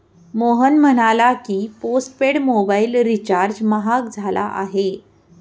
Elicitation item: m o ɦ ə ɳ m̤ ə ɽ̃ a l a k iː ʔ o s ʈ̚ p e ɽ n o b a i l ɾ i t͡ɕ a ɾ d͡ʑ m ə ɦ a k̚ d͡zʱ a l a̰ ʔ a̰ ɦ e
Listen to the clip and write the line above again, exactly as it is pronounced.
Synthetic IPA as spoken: m o ɦ ə n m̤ ə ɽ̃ a l a k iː p o s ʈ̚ p e ɽ m o b a i l ɾ i t͡ɕ a ɾ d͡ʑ m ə ɦ a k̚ d͡zʱ a l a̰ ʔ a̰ ɦ e